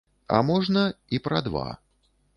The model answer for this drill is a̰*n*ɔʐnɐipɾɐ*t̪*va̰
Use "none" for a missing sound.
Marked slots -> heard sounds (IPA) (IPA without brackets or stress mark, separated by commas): m, d̪